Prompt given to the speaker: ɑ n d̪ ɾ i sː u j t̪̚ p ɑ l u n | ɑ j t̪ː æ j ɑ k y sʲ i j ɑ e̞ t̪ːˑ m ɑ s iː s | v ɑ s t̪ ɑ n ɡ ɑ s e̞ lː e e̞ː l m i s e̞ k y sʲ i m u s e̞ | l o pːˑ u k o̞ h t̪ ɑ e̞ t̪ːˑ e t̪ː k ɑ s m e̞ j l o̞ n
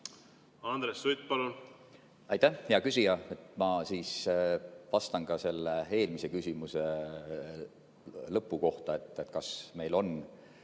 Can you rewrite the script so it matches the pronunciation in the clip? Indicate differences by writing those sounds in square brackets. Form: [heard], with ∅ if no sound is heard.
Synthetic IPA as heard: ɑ n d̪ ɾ [e] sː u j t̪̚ p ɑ l u n | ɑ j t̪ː æ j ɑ k y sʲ i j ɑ e̞ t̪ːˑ m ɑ s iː s | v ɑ s t̪ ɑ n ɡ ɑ s e̞ lː e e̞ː l m i s e̞ k y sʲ i m u s e̞ | l [ɤ] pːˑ u k o̞ h t̪ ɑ e̞ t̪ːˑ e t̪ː k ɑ s m e̞ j l o̞ n